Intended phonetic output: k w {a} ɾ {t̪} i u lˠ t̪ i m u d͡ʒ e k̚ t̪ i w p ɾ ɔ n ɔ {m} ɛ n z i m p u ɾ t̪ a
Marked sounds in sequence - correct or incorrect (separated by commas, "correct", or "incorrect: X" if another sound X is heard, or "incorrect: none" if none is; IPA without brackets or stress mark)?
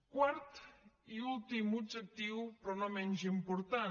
correct, correct, correct